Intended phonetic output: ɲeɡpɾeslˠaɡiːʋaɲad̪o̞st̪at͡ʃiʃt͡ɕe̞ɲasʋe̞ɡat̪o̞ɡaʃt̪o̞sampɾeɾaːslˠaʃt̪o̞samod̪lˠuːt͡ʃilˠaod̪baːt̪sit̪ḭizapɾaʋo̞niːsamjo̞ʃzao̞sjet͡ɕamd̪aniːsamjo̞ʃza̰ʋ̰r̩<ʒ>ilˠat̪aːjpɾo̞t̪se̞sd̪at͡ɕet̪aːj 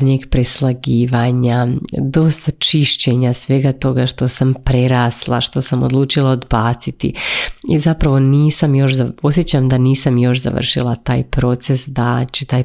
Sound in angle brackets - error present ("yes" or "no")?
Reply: yes